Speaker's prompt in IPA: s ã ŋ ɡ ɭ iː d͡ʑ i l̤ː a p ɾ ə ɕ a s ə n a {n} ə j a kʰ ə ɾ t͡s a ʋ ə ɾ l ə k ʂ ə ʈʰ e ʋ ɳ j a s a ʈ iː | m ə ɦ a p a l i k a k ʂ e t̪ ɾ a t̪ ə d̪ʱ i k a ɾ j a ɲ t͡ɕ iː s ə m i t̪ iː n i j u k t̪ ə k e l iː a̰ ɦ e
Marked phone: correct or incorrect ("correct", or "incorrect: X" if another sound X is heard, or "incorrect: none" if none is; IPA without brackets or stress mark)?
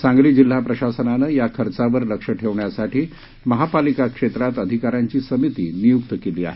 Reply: correct